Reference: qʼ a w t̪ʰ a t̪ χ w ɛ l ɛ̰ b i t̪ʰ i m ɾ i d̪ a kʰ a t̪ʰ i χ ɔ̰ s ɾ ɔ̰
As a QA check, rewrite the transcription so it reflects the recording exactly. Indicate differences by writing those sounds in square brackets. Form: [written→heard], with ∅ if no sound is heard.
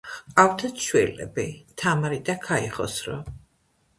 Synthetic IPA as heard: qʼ a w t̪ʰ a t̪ [χ→ʃ] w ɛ l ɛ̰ b i t̪ʰ [i→a] m ɾ i d̪ a kʰ a [t̪ʰ→∅] i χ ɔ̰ s ɾ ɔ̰